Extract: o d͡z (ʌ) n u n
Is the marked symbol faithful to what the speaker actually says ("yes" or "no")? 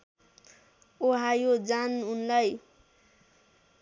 no